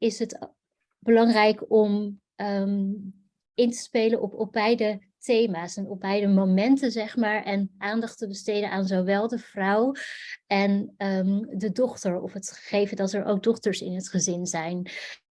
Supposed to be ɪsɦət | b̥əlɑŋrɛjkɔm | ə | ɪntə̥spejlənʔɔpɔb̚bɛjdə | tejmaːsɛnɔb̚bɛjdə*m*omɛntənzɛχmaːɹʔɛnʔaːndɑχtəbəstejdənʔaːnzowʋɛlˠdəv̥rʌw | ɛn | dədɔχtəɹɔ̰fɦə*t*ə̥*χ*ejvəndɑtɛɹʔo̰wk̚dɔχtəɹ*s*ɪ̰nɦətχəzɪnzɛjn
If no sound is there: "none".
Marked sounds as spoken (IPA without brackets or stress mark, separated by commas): m, t, χ, s